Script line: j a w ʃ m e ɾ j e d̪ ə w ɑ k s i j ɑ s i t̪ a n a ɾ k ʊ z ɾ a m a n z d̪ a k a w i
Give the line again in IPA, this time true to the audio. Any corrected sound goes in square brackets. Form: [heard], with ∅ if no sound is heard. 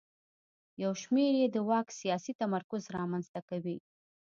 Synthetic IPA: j a w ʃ m e ɾ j e d̪ ə w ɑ k s i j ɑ s i t̪ a [m] a ɾ k ʊ z ɾ [ɑ] m a n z [t̪] a k a w i

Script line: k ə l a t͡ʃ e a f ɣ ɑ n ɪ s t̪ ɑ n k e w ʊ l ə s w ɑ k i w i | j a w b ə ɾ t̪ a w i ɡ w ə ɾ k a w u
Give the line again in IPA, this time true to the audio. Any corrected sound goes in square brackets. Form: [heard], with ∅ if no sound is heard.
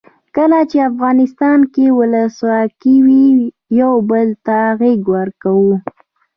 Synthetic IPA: k ə l a t͡ʃ e a f ɣ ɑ n ɪ s t̪ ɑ n k e w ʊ l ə s w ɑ k i w i | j a w b ə [l] t̪ a [ɣ] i ɡ w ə ɾ k a w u

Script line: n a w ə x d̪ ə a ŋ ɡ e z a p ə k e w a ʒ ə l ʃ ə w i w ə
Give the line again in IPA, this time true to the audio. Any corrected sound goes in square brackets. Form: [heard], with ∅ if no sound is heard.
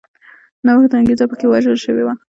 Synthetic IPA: n a w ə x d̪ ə a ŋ ɡ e z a p ə k e w a ʒ ə l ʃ ə w [e] w [a]

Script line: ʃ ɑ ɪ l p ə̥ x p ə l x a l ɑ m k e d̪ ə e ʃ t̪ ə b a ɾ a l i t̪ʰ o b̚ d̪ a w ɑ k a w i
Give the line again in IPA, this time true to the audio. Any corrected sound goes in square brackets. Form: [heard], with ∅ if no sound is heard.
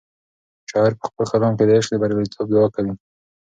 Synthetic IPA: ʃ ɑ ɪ [ɾ] p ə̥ x p ə l x a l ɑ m k e d̪ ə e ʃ [d̪] ə b a ɾ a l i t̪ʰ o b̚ d̪ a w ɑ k a w i

